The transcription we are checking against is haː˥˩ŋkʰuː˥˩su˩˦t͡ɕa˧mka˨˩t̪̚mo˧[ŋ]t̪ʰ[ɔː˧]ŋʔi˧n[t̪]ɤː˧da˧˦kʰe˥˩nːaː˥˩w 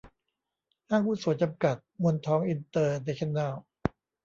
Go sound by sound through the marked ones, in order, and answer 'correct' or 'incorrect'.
incorrect, incorrect, correct

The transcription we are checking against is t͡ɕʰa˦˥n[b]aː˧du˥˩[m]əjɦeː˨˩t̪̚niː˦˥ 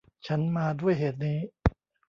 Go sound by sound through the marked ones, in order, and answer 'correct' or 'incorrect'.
incorrect, incorrect

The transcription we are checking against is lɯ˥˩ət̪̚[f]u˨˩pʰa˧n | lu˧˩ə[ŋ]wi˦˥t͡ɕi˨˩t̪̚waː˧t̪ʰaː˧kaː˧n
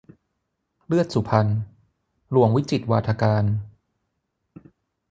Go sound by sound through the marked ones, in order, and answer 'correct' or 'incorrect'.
incorrect, correct

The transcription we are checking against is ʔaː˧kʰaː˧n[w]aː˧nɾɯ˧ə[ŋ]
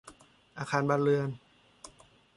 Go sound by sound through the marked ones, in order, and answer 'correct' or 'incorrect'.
incorrect, incorrect

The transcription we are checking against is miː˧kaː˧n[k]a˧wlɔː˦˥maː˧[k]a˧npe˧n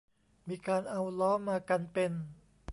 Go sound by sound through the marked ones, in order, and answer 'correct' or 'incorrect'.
incorrect, correct

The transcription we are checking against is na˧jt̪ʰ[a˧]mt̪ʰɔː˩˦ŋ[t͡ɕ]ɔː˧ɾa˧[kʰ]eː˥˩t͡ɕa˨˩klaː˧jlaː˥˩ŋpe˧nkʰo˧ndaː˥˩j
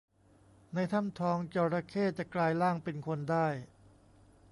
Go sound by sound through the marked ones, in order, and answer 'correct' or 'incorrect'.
incorrect, correct, correct

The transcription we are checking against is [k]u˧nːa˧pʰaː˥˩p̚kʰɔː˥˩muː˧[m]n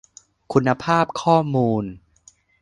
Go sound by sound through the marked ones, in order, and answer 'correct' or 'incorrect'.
incorrect, incorrect

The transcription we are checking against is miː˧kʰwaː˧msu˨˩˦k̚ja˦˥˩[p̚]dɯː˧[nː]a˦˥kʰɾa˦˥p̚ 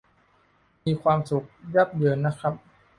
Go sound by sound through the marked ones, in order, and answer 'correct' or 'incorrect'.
correct, correct

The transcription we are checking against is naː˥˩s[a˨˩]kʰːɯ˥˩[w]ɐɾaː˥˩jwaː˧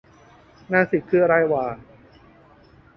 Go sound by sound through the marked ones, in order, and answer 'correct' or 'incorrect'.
incorrect, incorrect

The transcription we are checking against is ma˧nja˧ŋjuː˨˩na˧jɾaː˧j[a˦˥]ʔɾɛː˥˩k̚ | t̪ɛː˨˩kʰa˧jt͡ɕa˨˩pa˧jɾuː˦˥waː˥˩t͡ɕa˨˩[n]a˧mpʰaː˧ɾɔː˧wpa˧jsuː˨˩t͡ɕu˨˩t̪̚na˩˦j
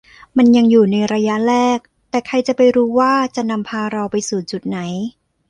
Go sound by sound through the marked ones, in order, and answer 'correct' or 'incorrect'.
correct, correct

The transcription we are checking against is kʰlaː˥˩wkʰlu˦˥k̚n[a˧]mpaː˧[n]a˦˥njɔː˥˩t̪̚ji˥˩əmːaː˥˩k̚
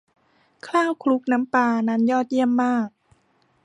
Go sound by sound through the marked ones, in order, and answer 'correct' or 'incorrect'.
incorrect, correct

